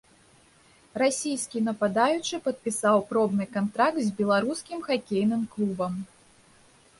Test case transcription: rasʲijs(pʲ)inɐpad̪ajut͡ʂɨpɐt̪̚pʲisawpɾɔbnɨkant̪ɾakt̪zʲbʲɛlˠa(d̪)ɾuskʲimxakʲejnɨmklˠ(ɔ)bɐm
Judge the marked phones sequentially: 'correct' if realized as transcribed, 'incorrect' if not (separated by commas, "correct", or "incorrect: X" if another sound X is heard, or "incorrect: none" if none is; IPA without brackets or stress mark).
incorrect: kʲ, incorrect: none, incorrect: u